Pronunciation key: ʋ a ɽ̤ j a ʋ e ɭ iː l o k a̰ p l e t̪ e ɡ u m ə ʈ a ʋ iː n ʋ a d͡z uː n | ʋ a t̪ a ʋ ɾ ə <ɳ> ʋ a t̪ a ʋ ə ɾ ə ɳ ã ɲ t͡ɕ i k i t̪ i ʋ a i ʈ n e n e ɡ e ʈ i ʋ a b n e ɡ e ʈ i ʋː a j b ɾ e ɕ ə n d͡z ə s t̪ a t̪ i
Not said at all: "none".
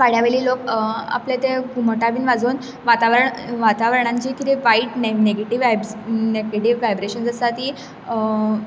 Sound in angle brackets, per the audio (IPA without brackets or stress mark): ɳ